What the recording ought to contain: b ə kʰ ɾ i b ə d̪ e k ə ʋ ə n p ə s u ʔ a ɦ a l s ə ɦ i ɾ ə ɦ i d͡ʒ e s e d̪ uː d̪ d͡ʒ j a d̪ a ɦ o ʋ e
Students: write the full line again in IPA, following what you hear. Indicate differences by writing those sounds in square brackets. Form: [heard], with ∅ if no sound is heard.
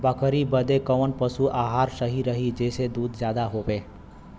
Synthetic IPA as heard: b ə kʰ ɾ i b ə d̪ e k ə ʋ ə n p ə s u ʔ a ɦ a [ɾ] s ə ɦ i ɾ ə ɦ i d͡ʒ e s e d̪ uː d̪ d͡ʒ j a d̪ a ɦ o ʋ e